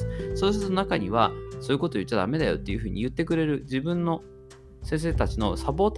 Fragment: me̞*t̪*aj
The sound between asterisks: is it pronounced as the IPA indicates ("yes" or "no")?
no